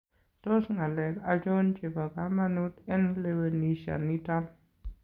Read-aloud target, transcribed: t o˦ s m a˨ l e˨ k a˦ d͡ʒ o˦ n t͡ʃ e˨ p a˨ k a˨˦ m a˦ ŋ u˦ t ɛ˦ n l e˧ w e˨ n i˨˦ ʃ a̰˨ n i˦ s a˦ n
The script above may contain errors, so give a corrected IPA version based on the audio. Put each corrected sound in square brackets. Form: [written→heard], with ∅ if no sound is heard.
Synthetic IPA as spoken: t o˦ s [m→ŋ] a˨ l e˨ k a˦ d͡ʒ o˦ n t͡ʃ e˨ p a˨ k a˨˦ m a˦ [ŋ→n] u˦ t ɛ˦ n l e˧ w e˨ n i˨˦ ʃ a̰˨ n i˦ [s→t] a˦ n